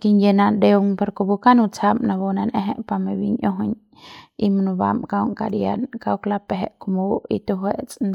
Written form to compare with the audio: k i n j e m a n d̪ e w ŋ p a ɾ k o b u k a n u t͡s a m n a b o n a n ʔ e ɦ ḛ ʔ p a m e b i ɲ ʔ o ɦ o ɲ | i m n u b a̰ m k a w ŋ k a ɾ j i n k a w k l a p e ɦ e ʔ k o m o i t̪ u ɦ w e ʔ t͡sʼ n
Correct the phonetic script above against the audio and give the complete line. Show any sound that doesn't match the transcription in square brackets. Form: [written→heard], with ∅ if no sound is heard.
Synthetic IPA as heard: k i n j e [m→n] a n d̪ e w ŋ p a ɾ k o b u k a n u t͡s a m n a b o n a n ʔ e ɦ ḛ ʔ p a m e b i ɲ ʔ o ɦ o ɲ | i m n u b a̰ m k a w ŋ k a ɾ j [i→a] n k a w k l a p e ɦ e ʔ k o m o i t̪ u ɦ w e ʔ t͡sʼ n